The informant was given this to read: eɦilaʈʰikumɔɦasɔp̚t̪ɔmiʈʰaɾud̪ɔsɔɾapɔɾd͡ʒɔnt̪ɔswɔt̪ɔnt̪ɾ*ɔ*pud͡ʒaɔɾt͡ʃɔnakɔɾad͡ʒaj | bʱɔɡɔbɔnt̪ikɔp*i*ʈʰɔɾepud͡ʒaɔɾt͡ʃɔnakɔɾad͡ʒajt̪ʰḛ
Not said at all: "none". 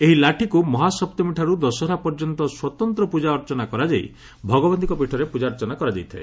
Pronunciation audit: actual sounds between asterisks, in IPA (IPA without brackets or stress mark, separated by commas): ɔ, i